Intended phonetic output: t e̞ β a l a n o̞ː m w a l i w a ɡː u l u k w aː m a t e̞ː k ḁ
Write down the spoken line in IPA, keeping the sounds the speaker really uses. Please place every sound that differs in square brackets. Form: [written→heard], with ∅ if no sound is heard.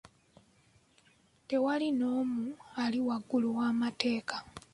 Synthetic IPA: t e̞ [β→w] a l [a→i] n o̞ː m [w→u] a l i w a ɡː u l u [k→∅] w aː m a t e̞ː k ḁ